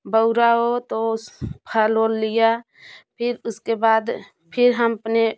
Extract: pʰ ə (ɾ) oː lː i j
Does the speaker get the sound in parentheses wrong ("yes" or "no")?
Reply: yes